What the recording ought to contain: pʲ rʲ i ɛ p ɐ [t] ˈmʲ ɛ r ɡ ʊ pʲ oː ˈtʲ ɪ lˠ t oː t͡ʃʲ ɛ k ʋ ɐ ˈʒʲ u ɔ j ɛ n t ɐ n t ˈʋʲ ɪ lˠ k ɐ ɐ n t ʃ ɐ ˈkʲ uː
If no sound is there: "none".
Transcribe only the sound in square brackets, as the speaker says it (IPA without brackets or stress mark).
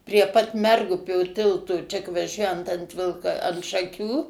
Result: t